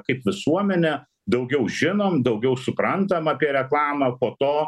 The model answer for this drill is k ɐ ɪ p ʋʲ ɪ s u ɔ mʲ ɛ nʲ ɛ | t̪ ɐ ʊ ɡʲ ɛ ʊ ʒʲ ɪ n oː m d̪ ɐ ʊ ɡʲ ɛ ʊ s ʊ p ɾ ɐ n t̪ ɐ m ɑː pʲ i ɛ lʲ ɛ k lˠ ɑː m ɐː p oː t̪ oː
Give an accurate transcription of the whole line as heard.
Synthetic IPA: k ɐ ɪ p ʋʲ ɪ s u ɔ mʲ ɛ nʲ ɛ | d̪ ɐ ʊ ɡʲ ɛ ʊ ʒʲ ɪ n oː m d̪ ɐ ʊ ɡʲ ɛ ʊ s ʊ p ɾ ɐ n t̪ ɐ m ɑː pʲ i ɛ ɾʲ ɛ k lˠ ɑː m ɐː p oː t̪ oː